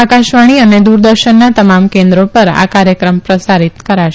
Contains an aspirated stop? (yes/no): no